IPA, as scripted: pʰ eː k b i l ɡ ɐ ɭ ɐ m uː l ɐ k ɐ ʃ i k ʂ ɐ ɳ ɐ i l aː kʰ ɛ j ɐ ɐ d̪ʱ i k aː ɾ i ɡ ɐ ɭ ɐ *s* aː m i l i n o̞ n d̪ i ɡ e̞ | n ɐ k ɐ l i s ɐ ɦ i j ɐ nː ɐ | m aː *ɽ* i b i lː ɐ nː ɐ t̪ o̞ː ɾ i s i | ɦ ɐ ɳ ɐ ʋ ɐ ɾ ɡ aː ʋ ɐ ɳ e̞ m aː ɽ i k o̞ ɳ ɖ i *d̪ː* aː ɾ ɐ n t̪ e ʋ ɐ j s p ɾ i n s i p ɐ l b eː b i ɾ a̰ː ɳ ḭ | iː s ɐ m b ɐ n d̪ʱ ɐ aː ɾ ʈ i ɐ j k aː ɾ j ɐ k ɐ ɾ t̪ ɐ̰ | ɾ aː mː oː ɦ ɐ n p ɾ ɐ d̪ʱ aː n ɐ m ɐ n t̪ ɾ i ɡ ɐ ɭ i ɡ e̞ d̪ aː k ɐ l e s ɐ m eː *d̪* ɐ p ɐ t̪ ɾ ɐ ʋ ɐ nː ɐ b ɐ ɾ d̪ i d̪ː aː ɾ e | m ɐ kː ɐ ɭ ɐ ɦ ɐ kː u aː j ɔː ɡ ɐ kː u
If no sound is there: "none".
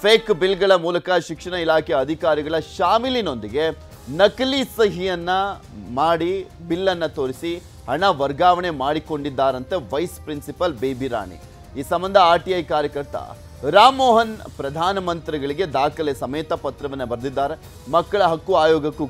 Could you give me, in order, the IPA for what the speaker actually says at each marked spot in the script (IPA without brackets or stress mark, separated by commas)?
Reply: ʃ, ɽ, d̪ː, t̪